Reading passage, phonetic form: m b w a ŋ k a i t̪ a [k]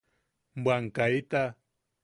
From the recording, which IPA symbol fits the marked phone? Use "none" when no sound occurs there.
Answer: none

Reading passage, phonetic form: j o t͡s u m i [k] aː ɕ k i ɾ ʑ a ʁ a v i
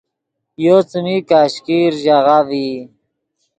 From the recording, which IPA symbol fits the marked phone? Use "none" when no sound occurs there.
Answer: k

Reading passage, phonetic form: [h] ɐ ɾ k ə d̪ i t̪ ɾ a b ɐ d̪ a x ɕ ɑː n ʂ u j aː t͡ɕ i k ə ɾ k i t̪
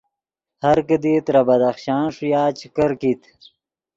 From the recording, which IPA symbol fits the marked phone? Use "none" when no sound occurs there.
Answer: h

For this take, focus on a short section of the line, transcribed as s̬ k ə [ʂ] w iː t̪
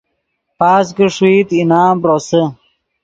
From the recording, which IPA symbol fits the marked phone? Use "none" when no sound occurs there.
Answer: ʂ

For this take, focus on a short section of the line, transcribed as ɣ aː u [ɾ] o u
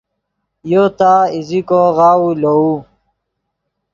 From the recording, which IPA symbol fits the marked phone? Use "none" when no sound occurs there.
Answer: l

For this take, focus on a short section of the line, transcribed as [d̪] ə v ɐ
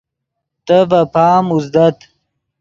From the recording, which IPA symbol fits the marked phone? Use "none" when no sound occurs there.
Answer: t̪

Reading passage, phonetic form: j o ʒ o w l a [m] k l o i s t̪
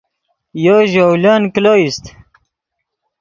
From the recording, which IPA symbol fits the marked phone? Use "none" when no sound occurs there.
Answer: n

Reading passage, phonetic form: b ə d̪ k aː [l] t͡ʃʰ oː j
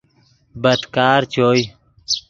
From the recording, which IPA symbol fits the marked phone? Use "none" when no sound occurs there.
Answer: ɾ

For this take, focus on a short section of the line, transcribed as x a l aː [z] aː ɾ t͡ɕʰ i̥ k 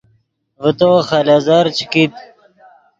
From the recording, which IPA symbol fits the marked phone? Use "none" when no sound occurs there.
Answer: z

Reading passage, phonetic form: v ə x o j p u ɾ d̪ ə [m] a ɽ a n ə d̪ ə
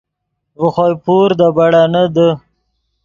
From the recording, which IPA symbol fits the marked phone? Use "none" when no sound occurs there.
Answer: b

